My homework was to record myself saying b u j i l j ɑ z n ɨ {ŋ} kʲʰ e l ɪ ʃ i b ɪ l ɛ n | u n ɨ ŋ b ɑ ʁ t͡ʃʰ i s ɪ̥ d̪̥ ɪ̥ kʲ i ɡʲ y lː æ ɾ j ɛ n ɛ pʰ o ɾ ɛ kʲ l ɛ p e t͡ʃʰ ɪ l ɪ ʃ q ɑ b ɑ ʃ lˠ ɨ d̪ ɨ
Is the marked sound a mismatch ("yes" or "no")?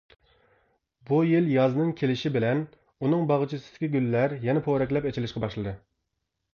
no